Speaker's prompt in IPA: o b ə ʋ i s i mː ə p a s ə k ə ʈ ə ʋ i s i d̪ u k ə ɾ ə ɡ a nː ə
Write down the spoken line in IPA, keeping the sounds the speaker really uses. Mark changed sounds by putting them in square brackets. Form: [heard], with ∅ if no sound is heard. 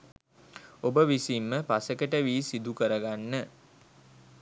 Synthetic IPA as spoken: o b ə ʋ i s i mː ə p a s ə k ə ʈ ə ʋ [iː] s i d̪ u k ə ɾ ə ɡ a nː ə